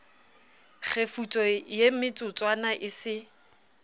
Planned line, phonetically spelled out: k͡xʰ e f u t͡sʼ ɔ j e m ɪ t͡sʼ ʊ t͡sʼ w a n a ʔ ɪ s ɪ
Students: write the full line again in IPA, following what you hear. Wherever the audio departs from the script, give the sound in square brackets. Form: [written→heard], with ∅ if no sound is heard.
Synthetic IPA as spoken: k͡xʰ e f u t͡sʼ ɔ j e m ɪ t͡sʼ ʊ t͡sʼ w a n a ʔ ɪ s ɪ